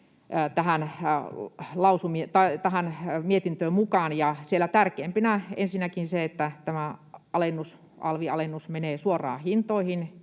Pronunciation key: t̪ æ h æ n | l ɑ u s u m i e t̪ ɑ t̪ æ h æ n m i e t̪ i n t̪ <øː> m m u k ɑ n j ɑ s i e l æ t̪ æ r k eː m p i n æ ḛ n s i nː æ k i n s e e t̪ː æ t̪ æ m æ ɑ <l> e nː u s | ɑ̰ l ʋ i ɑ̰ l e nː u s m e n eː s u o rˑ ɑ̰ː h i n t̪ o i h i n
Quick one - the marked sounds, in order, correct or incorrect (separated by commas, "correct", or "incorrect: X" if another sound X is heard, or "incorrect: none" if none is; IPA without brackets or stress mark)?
correct, correct